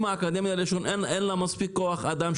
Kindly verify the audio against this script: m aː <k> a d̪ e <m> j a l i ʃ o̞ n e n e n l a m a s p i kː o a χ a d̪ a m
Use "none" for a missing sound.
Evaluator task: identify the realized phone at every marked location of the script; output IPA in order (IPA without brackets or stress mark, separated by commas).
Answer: k, m